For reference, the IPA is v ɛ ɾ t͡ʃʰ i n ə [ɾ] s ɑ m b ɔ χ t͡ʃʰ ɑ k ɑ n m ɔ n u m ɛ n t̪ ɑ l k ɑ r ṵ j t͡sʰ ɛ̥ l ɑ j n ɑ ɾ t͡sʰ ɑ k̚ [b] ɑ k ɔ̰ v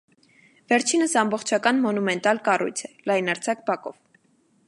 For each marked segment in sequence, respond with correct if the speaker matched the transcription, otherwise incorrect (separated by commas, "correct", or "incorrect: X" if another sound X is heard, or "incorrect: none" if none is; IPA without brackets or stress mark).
incorrect: none, correct